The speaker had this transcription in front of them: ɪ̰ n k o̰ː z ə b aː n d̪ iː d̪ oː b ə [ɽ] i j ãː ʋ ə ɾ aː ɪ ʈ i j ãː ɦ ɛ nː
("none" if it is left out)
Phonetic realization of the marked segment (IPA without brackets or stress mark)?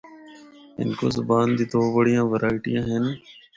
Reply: ɽ